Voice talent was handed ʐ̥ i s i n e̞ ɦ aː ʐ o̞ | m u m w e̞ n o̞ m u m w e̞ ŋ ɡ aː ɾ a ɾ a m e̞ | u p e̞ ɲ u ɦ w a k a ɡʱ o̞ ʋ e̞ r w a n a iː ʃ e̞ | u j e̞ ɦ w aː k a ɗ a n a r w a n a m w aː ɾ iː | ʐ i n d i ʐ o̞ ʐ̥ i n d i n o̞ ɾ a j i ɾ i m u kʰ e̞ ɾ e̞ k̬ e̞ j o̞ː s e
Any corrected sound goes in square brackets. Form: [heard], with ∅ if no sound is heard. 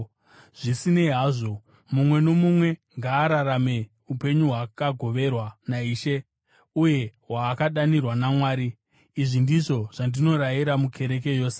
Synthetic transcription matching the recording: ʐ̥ i s i n e̞ ɦ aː ʐ o̞ | m u m w e̞ n o̞ m u m w e̞ ŋ ɡ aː ɾ a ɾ a m e̞ | u p e̞ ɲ u ɦ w a k a ɡʱ o̞ ʋ e̞ r w a n a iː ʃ e̞ | u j e̞ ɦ w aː k a ɗ a n [i] r w a n a m w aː ɾ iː | ʐ i n d i ʐ o̞ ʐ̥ [a] n d i n o̞ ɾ a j i ɾ [a] m u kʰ e̞ ɾ e̞ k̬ e̞ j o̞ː s e